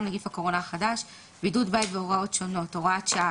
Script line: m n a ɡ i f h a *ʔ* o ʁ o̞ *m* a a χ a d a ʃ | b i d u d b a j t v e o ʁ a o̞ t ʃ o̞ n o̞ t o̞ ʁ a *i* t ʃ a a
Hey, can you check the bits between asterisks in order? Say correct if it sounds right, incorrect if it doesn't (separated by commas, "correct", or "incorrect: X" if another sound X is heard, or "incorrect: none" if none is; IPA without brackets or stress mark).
incorrect: k, incorrect: n, incorrect: a